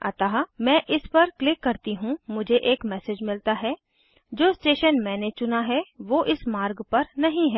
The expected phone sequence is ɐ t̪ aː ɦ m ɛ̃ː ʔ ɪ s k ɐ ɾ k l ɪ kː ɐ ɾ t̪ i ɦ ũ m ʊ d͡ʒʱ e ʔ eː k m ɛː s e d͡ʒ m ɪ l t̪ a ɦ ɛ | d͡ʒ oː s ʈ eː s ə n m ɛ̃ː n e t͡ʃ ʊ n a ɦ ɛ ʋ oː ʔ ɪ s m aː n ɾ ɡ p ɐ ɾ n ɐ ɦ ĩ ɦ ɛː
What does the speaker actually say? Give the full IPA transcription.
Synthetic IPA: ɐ t̪ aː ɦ m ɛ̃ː ʔ ɪ s p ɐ ɾ k l ɪ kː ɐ ɾ t̪ i ɦ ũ m ʊ d͡ʒʱ e ʔ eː k m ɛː s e d͡ʒ m ɪ l t̪ a ɦ ɛ | d͡ʒ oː s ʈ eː ʃ ə n m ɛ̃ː n e t͡ʃ ʊ n a ɦ ɛ ʋ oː ʔ ɪ s m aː ɾ ɡ p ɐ ɾ n ɐ ɦ ĩ ɦ ɛː